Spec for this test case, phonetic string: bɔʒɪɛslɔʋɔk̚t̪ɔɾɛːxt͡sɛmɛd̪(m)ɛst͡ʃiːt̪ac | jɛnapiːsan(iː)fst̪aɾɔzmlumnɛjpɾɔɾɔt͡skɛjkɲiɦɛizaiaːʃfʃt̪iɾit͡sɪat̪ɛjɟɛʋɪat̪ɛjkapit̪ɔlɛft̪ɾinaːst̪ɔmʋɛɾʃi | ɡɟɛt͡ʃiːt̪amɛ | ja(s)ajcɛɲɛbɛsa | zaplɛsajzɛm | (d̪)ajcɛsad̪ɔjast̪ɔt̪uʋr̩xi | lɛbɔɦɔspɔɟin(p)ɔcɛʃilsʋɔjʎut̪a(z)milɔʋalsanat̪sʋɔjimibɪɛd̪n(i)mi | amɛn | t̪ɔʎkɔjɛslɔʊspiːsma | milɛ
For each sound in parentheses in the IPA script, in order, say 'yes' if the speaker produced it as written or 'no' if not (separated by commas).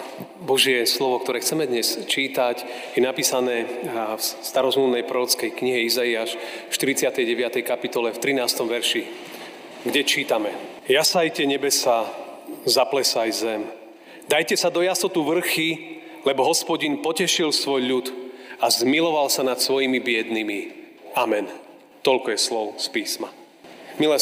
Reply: no, no, yes, yes, yes, yes, yes